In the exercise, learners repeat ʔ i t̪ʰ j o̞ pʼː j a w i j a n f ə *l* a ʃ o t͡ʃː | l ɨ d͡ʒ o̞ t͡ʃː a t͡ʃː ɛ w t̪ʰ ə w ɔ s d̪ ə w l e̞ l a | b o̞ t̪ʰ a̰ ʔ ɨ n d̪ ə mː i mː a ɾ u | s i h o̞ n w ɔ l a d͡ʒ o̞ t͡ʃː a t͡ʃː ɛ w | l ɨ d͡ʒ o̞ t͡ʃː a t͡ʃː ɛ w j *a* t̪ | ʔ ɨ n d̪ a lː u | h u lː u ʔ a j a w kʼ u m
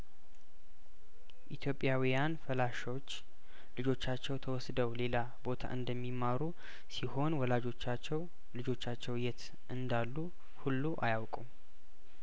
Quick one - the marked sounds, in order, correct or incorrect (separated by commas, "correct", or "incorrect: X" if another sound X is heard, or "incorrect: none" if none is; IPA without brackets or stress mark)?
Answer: correct, incorrect: ɛ